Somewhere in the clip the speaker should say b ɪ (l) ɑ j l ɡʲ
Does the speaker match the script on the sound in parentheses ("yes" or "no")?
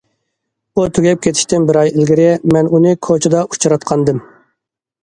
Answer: no